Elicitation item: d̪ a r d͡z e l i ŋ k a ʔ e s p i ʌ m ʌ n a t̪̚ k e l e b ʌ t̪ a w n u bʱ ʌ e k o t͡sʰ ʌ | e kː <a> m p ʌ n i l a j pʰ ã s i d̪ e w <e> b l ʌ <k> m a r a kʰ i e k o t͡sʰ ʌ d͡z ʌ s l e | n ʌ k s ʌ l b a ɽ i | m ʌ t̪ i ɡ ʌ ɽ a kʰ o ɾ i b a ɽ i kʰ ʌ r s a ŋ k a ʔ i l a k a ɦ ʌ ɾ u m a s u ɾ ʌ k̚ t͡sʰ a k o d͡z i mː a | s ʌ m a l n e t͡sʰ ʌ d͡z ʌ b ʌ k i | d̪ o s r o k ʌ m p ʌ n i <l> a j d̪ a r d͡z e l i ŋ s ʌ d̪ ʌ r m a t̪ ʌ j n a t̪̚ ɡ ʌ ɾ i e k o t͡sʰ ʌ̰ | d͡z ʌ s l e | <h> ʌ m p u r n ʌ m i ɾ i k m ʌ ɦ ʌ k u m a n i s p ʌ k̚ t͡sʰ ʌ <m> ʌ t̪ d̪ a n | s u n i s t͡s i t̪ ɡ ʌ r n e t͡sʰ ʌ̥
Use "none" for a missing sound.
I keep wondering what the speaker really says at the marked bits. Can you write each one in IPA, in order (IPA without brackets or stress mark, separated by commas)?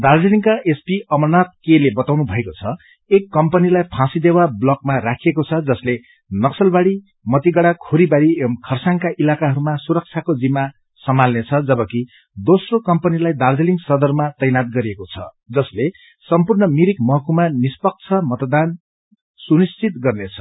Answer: ʌ, a, k, l, s, m